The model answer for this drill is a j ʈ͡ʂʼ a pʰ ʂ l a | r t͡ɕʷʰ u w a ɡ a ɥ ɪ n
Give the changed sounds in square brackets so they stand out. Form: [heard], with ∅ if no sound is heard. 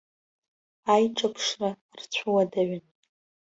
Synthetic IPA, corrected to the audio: a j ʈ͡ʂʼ a pʰ ʂ [r] a | r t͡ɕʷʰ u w a [d] a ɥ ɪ n

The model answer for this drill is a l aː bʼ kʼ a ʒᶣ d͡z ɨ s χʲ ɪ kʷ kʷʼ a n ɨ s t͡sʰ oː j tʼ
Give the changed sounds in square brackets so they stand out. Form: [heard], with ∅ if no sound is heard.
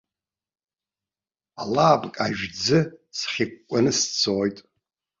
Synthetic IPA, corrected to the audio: a l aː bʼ kʼ a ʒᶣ d͡z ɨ s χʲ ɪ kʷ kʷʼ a n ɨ s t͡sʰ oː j tʼ

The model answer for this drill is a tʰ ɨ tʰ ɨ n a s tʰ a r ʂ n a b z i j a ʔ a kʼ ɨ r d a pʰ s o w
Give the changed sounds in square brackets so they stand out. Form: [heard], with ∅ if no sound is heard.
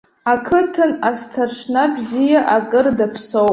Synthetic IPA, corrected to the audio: a [kʰ] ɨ tʰ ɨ n a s tʰ a r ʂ n a b z i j a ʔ a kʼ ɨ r d a pʰ s o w

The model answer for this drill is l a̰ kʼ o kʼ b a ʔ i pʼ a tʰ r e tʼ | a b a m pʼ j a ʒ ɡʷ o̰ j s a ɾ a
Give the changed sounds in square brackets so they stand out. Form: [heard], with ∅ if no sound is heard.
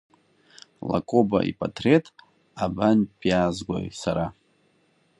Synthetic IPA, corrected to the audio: l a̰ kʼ o [∅] b a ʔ i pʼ a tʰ r e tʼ | a b a [n] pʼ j a [z] ɡʷ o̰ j s a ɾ a

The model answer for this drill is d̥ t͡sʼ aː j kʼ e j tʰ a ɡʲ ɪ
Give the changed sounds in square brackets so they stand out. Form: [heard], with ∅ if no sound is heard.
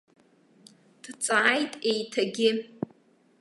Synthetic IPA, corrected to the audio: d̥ t͡sʼ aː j [tʼ] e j tʰ a ɡʲ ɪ

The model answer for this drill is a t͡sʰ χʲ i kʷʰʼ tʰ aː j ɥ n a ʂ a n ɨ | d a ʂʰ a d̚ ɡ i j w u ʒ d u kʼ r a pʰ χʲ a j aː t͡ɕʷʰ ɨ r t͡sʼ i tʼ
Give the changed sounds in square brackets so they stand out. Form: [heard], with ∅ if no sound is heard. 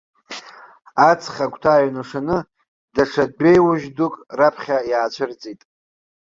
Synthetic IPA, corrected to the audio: a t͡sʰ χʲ [a] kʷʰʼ tʰ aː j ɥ n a ʂ a n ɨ | d a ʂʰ a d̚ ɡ [e] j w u ʒ d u kʼ r a pʰ χʲ a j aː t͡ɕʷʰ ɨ r t͡sʼ i tʼ

